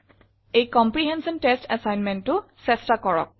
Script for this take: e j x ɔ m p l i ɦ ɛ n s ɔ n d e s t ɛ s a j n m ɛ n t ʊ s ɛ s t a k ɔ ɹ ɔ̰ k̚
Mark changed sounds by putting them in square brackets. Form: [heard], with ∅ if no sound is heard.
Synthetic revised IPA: e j [k] ɔ m p [ɹ] i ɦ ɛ n s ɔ n [t] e s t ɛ s a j n m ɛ n t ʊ s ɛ s t a k ɔ ɹ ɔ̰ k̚